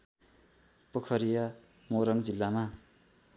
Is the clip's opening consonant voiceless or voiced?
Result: voiceless